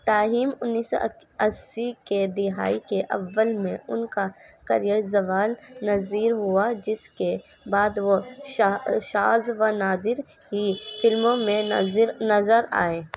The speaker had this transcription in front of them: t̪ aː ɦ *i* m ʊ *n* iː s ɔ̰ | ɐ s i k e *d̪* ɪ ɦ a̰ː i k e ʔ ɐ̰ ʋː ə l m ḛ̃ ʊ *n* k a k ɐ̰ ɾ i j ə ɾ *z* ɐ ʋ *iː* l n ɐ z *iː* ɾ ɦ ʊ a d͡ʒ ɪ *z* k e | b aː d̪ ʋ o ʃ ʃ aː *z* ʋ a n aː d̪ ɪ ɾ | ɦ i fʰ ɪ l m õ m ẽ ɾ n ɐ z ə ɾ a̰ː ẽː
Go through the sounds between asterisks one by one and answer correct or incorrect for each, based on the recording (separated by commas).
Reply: incorrect, incorrect, correct, correct, correct, incorrect, correct, incorrect, correct